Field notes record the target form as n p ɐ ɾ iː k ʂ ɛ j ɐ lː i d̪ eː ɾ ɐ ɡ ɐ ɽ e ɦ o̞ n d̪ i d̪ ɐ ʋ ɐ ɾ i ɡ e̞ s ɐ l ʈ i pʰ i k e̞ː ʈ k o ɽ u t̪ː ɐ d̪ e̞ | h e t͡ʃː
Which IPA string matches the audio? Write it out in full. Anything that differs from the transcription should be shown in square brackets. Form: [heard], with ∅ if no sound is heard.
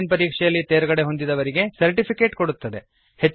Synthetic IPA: n p ɐ ɾ iː k ʂ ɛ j ɐ lː i [t̪] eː ɾ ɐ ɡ ɐ ɽ e ɦ o̞ n d̪ i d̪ ɐ ʋ ɐ ɾ i ɡ e̞ s ɐ [ɾ] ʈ i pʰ i k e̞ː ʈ k o ɽ u t̪ː ɐ d̪ e̞ | h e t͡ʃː